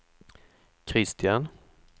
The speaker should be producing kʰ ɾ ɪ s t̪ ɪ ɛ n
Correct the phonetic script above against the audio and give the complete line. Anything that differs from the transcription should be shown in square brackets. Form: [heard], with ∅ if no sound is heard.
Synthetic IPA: kʰ ɾ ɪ s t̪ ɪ [a] n